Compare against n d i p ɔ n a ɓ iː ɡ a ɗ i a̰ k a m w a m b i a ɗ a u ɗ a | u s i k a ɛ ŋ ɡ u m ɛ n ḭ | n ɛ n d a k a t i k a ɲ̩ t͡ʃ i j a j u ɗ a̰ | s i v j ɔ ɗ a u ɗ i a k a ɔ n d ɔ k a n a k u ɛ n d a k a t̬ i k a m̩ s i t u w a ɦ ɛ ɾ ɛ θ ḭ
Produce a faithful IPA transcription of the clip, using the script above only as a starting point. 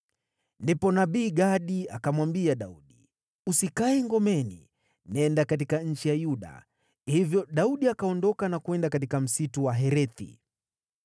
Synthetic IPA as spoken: n d i p ɔ n a ɓ iː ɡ a ɗ i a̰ k a m w a m b i a ɗ a u ɗ i | u s i k a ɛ ŋ ɡ ɔ m ɛ n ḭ | n ɛ n d a k a t i k a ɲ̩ t͡ʃ i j a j u ɗ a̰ | h i v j ɔ ɗ a u ɗ i a k a ɔ n d ɔ k a n a k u ɛ n d a k a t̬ i k a m̩ s i t u w a ɦ ɛ ɾ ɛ θ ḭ